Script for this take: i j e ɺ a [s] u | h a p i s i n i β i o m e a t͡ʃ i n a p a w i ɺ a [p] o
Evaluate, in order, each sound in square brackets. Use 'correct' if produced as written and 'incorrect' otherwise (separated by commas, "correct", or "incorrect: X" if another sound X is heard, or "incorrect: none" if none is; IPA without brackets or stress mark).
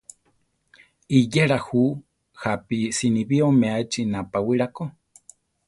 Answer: incorrect: h, incorrect: k